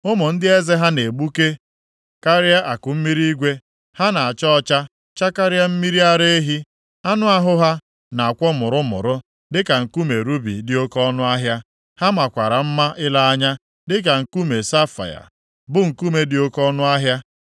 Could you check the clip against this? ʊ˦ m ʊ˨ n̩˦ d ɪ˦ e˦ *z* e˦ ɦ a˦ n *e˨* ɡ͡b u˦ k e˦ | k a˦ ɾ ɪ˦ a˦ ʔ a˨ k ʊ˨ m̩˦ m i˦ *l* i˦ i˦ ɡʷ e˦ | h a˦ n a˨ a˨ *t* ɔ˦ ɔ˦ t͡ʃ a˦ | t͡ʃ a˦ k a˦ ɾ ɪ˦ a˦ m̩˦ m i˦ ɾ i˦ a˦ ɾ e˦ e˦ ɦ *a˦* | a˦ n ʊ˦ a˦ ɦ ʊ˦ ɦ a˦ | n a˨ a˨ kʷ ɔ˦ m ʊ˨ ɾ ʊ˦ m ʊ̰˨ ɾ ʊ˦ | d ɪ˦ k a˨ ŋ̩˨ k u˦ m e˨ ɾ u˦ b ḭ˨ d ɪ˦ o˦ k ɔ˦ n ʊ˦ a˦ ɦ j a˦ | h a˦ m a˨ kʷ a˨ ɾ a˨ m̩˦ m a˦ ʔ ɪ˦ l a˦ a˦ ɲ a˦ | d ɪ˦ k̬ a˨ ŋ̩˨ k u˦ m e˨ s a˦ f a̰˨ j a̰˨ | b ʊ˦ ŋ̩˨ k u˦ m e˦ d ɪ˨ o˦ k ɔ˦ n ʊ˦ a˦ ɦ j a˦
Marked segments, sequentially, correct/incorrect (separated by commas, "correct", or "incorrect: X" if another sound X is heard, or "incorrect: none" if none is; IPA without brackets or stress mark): correct, correct, incorrect: ɾ, incorrect: t͡ʃ, incorrect: i˦